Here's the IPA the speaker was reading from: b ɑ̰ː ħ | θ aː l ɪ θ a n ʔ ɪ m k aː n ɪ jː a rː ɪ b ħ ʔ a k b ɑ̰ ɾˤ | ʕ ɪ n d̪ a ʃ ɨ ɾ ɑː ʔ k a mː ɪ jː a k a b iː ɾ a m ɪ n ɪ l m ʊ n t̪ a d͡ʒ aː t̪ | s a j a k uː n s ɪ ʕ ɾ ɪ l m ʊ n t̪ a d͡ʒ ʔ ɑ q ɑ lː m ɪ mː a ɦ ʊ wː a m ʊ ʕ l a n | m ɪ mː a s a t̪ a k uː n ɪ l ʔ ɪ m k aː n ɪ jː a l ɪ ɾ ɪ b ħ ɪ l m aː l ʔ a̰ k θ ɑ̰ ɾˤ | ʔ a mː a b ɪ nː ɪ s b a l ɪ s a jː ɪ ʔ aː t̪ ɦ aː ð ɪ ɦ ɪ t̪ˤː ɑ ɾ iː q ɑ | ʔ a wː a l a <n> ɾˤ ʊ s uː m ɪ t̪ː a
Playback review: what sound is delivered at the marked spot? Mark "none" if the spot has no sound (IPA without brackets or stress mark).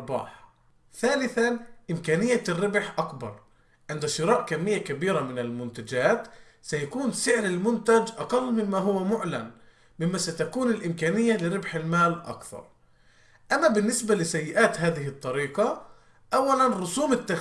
n